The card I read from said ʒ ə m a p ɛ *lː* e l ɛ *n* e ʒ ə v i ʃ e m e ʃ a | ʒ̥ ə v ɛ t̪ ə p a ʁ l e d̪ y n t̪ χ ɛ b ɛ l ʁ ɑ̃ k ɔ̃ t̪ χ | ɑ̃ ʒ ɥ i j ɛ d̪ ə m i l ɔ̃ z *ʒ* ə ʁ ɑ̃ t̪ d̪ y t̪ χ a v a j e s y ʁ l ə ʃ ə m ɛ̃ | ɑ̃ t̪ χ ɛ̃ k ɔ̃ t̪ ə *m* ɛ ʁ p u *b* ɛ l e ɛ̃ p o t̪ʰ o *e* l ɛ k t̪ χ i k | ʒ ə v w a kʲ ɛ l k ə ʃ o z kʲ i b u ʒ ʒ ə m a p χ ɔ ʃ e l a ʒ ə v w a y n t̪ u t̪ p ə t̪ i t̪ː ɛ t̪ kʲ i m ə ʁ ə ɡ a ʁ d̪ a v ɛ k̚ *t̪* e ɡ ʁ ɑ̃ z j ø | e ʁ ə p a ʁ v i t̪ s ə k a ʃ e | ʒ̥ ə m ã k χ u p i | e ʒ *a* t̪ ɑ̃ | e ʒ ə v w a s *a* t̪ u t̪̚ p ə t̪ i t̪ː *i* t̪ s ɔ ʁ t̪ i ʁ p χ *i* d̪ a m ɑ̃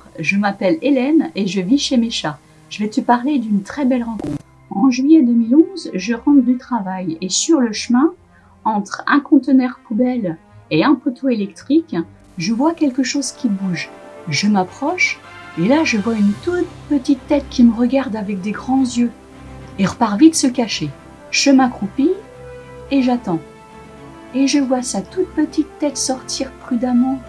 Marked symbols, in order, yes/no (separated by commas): no, yes, yes, no, yes, yes, no, yes, yes, no, no